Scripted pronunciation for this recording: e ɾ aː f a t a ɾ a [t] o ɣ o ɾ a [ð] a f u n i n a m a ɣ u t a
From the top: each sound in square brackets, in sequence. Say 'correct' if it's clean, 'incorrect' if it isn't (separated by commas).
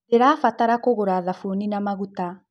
incorrect, correct